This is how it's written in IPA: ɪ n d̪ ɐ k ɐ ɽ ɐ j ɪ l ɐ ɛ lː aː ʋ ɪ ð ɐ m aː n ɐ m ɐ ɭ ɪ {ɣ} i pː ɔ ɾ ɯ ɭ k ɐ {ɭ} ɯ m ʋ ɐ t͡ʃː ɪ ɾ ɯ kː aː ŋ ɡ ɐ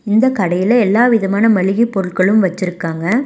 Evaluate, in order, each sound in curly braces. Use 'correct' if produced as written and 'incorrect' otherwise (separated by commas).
correct, correct